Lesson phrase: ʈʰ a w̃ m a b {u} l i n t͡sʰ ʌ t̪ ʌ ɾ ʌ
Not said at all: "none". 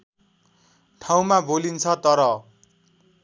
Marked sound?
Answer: o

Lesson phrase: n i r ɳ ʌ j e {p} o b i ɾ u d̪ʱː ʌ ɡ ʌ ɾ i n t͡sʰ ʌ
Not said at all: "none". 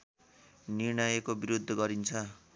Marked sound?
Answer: k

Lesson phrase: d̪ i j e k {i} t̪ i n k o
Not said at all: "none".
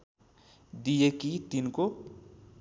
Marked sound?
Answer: i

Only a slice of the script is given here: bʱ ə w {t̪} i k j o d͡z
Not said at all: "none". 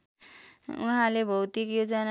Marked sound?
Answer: t̪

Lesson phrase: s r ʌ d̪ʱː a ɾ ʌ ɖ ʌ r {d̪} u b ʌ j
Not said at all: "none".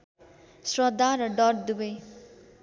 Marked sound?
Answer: d̪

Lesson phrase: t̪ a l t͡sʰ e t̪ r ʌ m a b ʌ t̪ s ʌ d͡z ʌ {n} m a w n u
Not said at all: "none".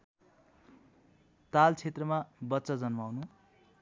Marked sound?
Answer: n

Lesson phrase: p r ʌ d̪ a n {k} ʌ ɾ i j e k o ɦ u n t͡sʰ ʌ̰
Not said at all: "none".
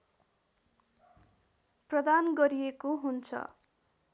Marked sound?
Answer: ɡ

